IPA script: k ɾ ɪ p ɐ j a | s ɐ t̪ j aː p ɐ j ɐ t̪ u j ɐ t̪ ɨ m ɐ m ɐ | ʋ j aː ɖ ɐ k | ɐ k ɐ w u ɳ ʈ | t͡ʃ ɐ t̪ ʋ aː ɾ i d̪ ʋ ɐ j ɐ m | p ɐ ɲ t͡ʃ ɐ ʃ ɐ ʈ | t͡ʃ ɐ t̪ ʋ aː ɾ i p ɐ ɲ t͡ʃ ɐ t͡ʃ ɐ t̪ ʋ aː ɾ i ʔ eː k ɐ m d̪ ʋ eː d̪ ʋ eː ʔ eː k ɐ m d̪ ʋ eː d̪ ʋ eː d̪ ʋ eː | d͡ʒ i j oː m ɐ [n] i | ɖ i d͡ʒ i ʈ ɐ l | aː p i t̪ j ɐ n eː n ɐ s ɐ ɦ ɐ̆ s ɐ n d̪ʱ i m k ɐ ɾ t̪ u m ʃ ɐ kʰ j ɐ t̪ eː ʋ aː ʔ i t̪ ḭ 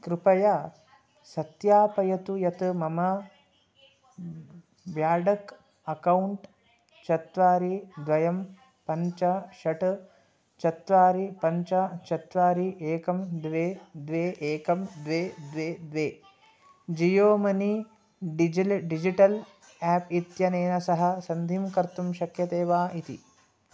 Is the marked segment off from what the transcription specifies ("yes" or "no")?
no